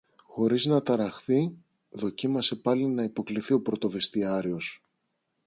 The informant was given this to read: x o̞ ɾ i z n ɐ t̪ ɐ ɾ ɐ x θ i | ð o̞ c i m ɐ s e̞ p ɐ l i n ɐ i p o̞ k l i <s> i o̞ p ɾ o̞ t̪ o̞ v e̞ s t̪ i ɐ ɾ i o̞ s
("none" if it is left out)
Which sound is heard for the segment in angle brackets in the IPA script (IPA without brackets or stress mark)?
θ